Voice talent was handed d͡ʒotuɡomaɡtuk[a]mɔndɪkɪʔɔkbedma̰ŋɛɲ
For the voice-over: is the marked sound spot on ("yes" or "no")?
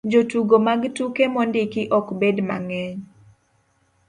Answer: no